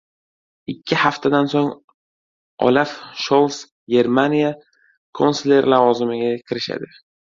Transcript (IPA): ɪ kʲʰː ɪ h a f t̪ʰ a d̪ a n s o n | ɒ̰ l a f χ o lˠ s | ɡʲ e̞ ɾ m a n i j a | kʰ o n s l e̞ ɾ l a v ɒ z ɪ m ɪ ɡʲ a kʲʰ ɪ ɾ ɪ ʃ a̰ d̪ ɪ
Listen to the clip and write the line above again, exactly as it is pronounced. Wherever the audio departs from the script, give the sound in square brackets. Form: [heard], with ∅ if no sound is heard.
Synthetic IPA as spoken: ɪ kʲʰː ɪ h a f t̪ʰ a d̪ a n s o [ŋ] | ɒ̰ l a f [ʃ] o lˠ s | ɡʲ e̞ ɾ m a n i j a | kʰ o n s l e̞ ɾ l a v ɒ z ɪ m ɪ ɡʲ a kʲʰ ɪ ɾ ɪ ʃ a̰ d̪ ɪ